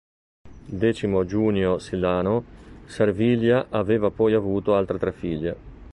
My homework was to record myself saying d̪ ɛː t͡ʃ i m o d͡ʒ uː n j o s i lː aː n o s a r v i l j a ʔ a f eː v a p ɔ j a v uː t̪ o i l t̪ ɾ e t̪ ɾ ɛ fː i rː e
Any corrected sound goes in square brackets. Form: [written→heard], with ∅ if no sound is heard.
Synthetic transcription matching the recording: d̪ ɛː t͡ʃ i m o d͡ʒ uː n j o s i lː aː n o s a r v i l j a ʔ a [f→v] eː v a p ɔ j a v uː t̪ o [i→a] l t̪ ɾ e t̪ ɾ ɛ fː i [rː→ʎː] e